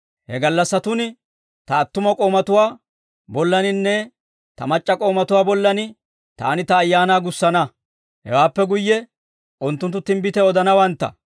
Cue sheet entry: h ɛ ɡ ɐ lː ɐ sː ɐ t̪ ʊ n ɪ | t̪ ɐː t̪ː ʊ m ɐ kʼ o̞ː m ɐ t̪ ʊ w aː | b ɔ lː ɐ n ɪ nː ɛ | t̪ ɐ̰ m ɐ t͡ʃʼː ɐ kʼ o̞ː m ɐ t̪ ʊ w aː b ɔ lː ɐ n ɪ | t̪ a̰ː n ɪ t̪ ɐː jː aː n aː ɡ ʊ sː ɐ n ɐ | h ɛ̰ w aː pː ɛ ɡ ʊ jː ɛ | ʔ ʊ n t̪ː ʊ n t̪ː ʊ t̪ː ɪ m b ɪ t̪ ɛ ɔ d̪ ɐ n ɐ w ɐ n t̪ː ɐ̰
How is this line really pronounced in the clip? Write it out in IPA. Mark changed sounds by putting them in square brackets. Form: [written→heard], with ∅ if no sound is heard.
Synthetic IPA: h ɛ ɡ ɐ lː ɐ sː ɐ t̪ ʊ n ɪ | t̪ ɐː t̪ː ʊ m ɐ kʼ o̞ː m ɐ t̪ ʊ w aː | b ɔ lː ɐ n ɪ nː ɛ | t̪ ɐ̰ m ɐ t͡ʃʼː ɐ kʼ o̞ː m ɐ t̪ ʊ w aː b ɔ lː ɐ n ɪ | t̪ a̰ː n ɪ t̪ ɐː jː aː n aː ɡ ʊ sː ɐ n ɐ | h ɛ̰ w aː pː ɛ ɡ ʊ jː ɛ | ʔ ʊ n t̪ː ʊ n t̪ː ʊ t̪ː ɪ m b ɪ t̪ ɛ ɔ d̪ ɐ n ɐ w ɐ n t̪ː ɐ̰